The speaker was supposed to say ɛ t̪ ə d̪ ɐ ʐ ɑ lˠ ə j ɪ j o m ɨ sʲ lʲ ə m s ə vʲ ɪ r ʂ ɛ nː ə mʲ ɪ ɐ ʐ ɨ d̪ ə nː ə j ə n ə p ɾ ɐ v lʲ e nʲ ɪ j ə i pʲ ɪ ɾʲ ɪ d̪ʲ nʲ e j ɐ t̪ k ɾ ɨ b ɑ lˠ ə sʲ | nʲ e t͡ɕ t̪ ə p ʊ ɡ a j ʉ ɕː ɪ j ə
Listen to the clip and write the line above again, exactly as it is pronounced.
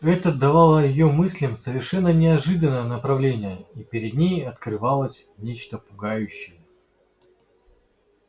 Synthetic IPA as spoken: ɛ t̪ ə d̪ ɐ v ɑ lˠ ə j ɪ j o m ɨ sʲ lʲ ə m s ə vʲ ɪ r ʂ ɛ nː ə nʲ ɪ ɐ ʐ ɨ d̪ ə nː ə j ə n ə p ɾ ɐ v lʲ e nʲ ɪ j ə i pʲ ɪ ɾʲ ɪ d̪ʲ nʲ e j ɐ t̪ k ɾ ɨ v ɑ lˠ ə sʲ | nʲ e t͡ɕ t̪ ə p ʊ ɡ a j ʉ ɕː ɪ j ə